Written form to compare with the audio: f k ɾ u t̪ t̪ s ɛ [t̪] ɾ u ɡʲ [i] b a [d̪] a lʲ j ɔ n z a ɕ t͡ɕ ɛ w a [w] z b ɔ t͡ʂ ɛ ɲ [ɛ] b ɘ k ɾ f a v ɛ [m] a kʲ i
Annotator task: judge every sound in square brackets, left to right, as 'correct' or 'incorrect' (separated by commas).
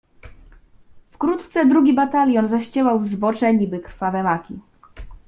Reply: incorrect, correct, incorrect, correct, incorrect, correct